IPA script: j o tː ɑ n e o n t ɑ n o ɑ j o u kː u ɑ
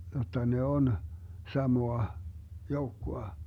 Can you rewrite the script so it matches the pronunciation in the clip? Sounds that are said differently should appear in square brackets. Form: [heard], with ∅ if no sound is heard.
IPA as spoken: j o tː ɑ n e o n [s] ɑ [m] o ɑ j o u kː [o] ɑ